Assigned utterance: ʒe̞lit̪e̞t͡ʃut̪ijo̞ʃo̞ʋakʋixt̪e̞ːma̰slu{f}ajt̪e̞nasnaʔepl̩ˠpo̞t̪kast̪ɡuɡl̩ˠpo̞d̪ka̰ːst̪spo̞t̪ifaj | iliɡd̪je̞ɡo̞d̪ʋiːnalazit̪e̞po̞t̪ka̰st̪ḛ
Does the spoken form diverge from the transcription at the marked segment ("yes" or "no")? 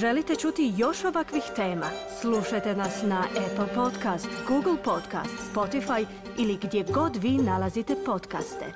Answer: yes